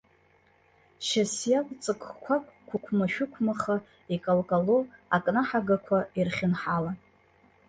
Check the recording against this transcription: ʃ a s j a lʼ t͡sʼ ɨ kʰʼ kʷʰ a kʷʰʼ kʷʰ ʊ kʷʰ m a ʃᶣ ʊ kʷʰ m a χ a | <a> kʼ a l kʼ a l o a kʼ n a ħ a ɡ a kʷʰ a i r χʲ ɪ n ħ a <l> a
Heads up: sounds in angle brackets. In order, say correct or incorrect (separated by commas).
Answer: incorrect, correct